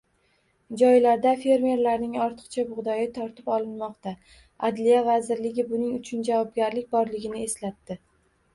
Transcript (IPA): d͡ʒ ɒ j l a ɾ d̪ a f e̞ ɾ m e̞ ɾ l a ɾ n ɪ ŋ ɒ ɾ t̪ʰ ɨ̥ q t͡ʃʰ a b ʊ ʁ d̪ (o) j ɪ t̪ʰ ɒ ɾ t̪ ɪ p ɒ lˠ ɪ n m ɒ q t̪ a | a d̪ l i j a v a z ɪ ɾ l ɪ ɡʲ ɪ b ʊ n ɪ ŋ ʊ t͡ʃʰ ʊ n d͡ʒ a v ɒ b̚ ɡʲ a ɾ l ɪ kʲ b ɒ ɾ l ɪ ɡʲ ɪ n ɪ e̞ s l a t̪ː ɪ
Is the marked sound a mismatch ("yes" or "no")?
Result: yes